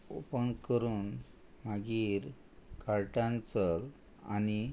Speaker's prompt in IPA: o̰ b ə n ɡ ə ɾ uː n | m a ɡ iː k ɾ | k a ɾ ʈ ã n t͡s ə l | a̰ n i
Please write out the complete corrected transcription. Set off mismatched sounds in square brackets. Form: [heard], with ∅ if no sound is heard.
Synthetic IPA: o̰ [p] ə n [k] ə ɾ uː n | m a ɡ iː [∅] ɾ | k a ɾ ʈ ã n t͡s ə l | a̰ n i